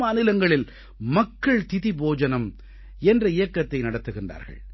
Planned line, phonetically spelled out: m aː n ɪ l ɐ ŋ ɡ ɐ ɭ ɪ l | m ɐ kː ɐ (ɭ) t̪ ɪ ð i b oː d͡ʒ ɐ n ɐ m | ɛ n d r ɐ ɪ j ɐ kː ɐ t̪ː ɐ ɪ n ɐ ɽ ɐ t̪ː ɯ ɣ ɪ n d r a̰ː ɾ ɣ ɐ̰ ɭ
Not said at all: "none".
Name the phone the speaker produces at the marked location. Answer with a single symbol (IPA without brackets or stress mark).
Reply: ɭ